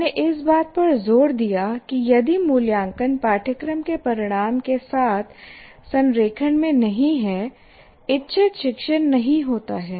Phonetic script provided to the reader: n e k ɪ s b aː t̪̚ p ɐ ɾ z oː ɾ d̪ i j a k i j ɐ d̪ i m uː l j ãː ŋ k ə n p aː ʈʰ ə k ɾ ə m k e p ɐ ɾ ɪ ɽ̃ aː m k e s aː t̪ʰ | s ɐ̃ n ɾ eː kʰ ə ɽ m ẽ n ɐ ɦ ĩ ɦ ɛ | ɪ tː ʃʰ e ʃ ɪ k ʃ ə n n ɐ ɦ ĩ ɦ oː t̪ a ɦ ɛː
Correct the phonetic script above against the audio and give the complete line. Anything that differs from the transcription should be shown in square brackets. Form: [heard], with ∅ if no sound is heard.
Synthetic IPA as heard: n e [ʔ] ɪ s b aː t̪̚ p ɐ ɾ z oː ɾ d̪ i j a k i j ɐ d̪ i m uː l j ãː ŋ k ə n p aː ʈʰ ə k ɾ ə m k e p ɐ ɾ ɪ ɽ̃ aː m k e s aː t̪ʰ | s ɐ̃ n ɾ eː kʰ ə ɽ m ẽ n ɐ ɦ ĩ ɦ ɛ | ɪ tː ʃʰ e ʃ ɪ k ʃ ə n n ɐ ɦ ĩ ɦ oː t̪ a ɦ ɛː